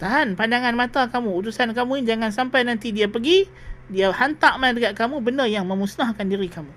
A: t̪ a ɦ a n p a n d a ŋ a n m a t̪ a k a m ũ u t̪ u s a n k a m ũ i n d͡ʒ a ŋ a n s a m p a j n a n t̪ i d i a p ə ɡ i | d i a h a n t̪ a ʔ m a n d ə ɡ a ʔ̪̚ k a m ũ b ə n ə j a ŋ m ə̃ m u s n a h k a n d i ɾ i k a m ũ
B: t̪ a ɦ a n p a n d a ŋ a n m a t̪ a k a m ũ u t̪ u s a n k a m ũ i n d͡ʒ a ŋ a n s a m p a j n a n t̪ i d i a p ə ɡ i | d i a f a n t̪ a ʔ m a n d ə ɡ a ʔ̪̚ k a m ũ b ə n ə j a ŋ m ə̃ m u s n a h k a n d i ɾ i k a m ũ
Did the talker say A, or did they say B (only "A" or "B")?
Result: A